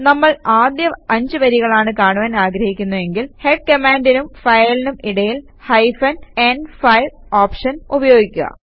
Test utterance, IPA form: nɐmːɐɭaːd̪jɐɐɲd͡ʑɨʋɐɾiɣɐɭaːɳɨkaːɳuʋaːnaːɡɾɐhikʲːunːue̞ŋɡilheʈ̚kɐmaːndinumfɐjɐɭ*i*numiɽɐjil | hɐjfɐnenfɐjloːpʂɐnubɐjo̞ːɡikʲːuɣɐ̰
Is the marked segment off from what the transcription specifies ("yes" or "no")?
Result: no